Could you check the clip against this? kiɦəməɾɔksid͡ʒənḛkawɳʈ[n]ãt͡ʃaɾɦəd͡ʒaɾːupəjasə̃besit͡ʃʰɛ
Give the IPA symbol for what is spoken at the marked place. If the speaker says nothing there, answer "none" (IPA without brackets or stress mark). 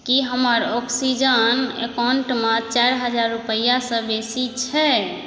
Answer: m